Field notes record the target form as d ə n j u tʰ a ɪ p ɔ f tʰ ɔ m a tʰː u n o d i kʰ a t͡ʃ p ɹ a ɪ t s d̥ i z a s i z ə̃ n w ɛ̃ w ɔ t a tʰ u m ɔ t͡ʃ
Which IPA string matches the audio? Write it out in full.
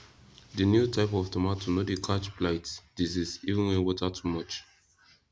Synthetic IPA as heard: d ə n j u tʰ a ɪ p ɔ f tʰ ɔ m a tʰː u n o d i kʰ a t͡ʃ p l a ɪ t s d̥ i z i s i v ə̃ n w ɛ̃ w ɔ t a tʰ u m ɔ t͡ʃ